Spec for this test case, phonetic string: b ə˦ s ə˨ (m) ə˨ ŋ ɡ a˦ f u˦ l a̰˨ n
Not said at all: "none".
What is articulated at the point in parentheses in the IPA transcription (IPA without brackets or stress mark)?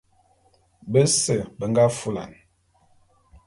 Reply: b